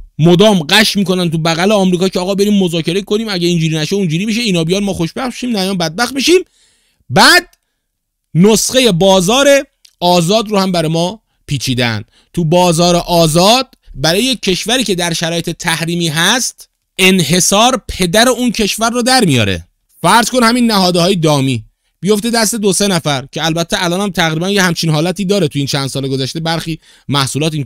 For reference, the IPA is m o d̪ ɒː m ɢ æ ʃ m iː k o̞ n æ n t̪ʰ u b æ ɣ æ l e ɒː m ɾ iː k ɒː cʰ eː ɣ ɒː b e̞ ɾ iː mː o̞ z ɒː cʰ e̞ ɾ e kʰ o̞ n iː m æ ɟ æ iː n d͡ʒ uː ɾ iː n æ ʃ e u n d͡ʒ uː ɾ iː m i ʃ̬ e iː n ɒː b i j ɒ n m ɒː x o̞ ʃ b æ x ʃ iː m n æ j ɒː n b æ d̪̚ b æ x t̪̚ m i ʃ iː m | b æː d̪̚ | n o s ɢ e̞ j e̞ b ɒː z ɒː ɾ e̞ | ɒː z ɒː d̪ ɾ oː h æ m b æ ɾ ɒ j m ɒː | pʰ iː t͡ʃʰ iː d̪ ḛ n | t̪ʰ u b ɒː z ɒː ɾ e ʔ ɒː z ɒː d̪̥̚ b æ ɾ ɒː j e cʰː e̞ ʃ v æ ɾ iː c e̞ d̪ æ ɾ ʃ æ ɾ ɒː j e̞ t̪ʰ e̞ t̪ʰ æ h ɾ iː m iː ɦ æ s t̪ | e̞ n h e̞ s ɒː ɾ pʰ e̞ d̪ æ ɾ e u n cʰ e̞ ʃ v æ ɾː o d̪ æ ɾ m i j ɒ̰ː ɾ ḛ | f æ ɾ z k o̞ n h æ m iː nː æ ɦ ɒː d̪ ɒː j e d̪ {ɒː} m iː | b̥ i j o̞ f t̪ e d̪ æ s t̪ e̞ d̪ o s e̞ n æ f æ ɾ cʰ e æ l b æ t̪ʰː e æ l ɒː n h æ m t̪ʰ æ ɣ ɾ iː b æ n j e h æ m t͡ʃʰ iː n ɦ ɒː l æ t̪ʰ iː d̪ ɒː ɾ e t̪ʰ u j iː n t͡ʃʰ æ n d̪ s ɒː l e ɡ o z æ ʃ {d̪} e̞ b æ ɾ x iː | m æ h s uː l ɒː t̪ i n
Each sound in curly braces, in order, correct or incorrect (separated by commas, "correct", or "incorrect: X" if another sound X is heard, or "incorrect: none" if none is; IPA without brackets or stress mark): correct, incorrect: t̪